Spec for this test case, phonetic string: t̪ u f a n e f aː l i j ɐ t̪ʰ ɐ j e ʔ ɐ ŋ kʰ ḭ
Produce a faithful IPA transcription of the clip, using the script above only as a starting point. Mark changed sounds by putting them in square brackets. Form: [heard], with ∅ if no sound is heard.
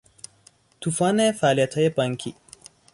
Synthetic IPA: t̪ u f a n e f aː l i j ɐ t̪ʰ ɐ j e [p] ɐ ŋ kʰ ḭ

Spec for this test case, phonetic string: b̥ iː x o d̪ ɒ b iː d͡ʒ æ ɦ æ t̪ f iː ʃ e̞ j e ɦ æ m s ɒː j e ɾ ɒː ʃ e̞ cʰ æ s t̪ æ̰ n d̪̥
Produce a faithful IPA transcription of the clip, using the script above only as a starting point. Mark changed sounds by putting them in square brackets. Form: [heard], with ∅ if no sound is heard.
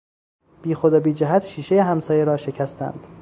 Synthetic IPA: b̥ iː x o d̪ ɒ b iː d͡ʒ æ ɦ æ t̪ [ʃ] iː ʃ e̞ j e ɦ æ m s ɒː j e ɾ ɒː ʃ e̞ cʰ æ s t̪ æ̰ n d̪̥

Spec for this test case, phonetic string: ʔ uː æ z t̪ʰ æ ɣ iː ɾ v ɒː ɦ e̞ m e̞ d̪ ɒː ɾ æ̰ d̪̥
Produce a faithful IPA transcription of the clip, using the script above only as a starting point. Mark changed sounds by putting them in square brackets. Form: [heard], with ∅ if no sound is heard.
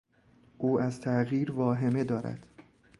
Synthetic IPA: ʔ uː æ z t̪ʰ æ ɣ iː ɾ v ɒː ɦ e̞ m e̞ d̪ ɒː ɾ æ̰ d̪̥

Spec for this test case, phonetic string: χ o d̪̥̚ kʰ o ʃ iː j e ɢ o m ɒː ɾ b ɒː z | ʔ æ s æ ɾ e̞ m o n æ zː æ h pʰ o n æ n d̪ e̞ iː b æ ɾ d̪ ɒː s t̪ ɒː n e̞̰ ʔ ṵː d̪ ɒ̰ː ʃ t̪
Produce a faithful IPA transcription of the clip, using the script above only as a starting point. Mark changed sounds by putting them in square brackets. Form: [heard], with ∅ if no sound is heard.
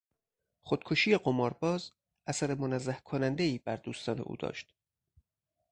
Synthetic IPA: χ o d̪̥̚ kʰ o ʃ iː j e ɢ o m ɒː ɾ b ɒː z | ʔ æ s æ ɾ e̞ m o n æ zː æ h [kʰ] o n æ n d̪ e̞ iː b æ ɾ d̪ [uː] s t̪ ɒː n e̞̰ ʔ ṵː d̪ ɒ̰ː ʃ t̪

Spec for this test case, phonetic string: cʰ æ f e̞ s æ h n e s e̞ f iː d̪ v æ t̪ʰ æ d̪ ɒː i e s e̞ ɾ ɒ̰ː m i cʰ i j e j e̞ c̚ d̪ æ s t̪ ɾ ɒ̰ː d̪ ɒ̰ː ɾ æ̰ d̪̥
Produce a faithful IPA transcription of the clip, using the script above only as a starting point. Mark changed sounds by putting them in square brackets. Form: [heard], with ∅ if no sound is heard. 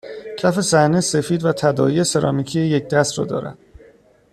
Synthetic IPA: cʰ æ f e̞ s æ h n e s e̞ f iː d̪ v æ t̪ʰ æ d̪ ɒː i e s e̞ ɾ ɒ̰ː m i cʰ i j e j e̞ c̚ d̪ æ s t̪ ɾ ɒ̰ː d̪ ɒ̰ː ɾ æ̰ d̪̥

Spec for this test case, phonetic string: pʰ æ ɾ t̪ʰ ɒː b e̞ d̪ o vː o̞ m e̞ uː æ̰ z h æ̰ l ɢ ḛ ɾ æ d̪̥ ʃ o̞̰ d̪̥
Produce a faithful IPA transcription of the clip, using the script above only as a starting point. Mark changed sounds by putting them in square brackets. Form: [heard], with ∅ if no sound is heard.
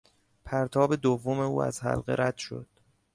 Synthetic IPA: pʰ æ ɾ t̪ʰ ɒː b e̞ d̪ o vː o̞ m e̞ uː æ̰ z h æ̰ l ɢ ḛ ɾ æ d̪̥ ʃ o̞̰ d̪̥

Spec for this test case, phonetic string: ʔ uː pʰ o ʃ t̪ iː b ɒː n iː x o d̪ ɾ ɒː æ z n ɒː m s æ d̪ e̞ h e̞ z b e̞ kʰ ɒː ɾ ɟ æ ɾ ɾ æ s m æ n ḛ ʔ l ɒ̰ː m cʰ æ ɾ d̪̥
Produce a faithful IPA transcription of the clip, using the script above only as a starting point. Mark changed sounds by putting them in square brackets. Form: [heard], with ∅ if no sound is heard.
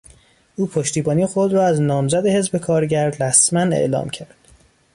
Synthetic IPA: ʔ uː pʰ o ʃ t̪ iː b ɒː n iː x o d̪ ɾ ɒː æ z n ɒː m [z] æ d̪ e̞ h e̞ z b e̞ kʰ ɒː ɾ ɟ æ ɾ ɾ æ s m æ n ḛ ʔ l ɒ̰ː m cʰ æ ɾ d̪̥

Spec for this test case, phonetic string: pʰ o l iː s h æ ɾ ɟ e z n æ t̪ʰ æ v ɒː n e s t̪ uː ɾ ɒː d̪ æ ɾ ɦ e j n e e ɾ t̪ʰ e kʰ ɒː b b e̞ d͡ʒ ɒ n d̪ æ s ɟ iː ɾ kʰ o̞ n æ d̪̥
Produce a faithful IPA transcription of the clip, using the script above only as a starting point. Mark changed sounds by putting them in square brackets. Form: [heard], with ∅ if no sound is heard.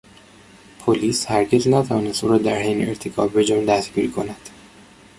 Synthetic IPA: pʰ o l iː s h æ ɾ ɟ e z n æ t̪ʰ æ v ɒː n e s t̪ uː ɾ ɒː d̪ æ ɾ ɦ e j n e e ɾ t̪ʰ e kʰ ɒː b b e̞ d͡ʒ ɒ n d̪ æ s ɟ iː ɾ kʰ o̞ n æ d̪̥

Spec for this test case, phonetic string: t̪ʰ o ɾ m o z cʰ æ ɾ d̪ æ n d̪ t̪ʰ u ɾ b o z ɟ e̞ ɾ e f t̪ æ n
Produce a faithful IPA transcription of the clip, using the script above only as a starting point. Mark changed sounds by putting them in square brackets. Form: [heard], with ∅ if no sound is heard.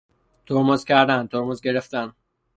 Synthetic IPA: t̪ʰ o ɾ m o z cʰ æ ɾ d̪ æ n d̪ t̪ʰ [o] ɾ [m] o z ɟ e̞ ɾ e f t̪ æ n

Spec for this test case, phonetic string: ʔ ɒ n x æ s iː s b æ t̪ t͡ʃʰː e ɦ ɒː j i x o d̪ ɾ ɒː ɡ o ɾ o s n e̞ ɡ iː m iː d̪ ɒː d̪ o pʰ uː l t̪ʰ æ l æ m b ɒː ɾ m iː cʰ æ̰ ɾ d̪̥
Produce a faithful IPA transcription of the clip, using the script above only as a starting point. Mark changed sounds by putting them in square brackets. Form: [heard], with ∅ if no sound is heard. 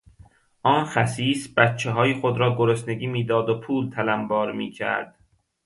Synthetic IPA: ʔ [ɒː] n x æ s iː s b æ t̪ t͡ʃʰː e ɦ ɒː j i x o d̪ ɾ ɒː ɡ o ɾ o s n e̞ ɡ iː m iː d̪ ɒː d̪ o pʰ uː l t̪ʰ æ l æ m b ɒː ɾ m iː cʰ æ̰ ɾ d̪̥

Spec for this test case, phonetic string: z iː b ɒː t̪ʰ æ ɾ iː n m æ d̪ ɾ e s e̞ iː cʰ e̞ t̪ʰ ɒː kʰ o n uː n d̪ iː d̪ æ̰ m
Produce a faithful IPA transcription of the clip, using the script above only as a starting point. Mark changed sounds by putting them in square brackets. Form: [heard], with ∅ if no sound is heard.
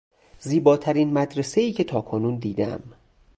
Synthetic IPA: z iː b ɒː t̪ʰ æ ɾ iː n m æ d̪ ɾ e s e̞ iː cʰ e̞ t̪ʰ ɒː kʰ o n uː n d̪ iː d̪ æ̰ m

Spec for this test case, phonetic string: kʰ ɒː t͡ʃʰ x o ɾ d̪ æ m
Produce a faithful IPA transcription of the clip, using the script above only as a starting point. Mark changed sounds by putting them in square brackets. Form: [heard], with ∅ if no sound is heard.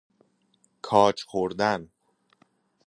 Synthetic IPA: kʰ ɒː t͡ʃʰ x o ɾ d̪ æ [n]

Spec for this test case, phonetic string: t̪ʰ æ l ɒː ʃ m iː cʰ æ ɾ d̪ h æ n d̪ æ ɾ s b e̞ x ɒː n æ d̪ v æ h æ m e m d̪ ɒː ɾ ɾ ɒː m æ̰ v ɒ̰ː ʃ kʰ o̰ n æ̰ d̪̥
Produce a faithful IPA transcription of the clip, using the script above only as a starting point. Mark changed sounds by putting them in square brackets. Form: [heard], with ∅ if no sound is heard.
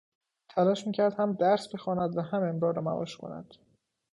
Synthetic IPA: t̪ʰ æ l ɒː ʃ m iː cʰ æ ɾ d̪ h æ [m] d̪ æ ɾ s b e̞ x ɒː n æ d̪ v æ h æ m e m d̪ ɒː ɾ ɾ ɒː m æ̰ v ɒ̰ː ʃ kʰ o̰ n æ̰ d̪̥

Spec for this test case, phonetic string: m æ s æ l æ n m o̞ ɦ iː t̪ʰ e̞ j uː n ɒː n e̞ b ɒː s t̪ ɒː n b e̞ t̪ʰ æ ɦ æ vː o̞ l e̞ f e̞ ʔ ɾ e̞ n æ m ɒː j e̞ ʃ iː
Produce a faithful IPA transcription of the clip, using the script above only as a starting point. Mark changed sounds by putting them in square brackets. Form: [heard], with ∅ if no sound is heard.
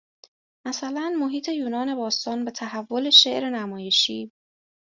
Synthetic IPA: m æ s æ l æ n m o̞ ɦ iː t̪ʰ e̞ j uː n ɒː n e̞ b ɒː s t̪ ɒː n b e̞ t̪ʰ æ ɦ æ vː o̞ l e̞ [ʃ] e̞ ʔ ɾ e̞ n æ m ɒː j e̞ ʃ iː

